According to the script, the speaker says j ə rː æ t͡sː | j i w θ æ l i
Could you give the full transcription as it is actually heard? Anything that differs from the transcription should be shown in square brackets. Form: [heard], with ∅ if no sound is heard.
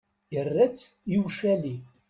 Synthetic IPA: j ə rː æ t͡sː | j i w [ʃ] æ l i